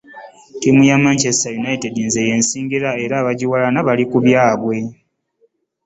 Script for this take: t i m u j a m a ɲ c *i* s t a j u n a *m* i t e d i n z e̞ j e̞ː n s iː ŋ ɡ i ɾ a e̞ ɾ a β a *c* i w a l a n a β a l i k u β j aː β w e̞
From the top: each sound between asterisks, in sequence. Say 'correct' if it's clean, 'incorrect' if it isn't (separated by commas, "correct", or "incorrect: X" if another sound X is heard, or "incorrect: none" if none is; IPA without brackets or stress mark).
incorrect: e, incorrect: none, incorrect: ɟ